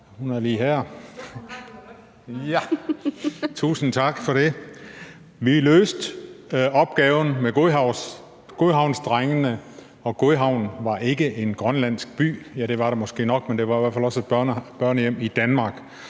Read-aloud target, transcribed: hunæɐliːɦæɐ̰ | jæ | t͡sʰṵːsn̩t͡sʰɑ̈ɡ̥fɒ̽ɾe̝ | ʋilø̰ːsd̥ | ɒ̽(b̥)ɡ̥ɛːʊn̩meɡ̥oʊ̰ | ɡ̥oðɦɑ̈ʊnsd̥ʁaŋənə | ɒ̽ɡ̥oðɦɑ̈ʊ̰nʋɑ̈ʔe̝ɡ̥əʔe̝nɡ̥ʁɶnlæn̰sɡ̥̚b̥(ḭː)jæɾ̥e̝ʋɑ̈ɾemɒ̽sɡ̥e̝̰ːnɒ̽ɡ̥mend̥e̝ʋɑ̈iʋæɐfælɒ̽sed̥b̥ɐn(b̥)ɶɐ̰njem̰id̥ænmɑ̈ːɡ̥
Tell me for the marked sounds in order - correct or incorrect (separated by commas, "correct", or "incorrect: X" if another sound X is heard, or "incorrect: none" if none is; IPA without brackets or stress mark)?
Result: correct, incorrect: y̰ː, correct